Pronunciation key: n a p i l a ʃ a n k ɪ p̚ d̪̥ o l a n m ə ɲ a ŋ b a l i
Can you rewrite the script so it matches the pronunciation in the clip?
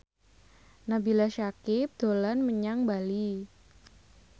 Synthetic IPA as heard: n a b i l a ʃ a k ɪ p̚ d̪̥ o l a n m ə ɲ a ŋ b a l i

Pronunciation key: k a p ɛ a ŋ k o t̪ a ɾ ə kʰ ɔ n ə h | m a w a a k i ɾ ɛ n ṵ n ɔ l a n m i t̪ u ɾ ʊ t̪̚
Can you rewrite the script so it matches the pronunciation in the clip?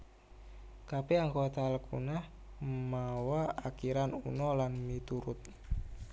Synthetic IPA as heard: k a p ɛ a ŋ k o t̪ a l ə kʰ u n a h | m a w a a k i ɾ a n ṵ n ɔ l a n m i t̪ u ɾ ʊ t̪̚

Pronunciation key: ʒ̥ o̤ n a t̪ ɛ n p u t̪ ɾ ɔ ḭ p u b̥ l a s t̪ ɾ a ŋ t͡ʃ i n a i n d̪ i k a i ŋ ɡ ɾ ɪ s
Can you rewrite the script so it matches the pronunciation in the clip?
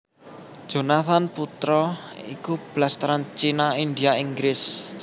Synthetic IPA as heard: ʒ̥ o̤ n a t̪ a n p u t̪ ɾ ɔ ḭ k u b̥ l a s t̪ ɾ a n t͡ʃ i n a i n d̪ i a i ŋ ɡ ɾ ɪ s

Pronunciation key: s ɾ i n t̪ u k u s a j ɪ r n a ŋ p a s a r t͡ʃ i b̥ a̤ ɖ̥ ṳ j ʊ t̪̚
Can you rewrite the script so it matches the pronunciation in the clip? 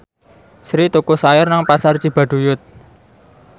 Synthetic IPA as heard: s ɾ i t̪ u k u s a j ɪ r n a ŋ p a s a r t͡ʃ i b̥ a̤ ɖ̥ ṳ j ʊ t̪̚

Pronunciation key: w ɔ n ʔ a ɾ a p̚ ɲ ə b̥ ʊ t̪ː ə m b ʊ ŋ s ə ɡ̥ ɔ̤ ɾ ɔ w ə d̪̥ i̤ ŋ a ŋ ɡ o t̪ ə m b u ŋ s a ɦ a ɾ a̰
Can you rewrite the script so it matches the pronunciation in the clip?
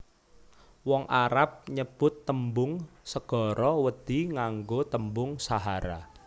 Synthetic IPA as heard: w ɔ ŋ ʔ a ɾ a p̚ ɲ ə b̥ ʊ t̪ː ə m b ʊ ŋ s ə ɡ̥ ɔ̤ ɾ ɔ w ə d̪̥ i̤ ŋ a ŋ ɡ o t̪ ə m b ʊ ŋ s a ɦ a ɾ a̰

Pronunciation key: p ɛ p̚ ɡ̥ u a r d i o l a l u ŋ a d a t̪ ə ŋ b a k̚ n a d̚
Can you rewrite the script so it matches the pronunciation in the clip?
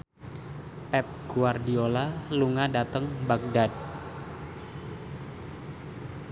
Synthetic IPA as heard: p ɛ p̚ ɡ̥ u a r d i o l a l u ŋ a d a t̪ ə ŋ b a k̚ d a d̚

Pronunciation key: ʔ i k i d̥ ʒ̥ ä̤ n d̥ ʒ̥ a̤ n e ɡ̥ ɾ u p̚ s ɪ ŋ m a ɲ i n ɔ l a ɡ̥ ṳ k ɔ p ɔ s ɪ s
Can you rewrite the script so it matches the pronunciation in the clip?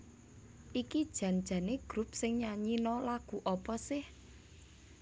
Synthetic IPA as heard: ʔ i k i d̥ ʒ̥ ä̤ n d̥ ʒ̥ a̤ n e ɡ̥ ɾ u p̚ s ɪ ŋ ɲ a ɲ i n ɔ l a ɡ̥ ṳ ʔ ɔ p ɔ s ɪ h

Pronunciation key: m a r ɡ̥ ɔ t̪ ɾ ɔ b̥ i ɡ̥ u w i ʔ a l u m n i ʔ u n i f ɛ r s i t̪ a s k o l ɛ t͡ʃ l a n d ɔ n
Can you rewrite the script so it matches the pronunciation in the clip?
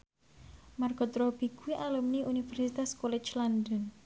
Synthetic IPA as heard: m a r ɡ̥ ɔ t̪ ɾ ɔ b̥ i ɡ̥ u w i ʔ a l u m n i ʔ u n i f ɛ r s i t̪ a s k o l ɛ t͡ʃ l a n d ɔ n

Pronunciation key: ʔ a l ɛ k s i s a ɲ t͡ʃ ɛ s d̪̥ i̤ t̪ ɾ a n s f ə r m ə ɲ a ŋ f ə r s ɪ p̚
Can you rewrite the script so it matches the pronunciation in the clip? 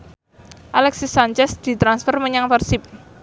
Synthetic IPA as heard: ʔ a l ɛ k s i s a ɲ t͡ʃ ɛ s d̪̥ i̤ t̪ ɾ a n s f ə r m ə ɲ a ŋ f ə r s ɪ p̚

